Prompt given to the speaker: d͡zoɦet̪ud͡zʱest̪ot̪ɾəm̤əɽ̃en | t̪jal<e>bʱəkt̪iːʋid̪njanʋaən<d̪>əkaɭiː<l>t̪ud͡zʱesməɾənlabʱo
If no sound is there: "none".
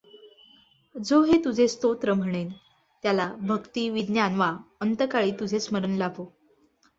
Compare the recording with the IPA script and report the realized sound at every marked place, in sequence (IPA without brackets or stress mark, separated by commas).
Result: a, t̪, none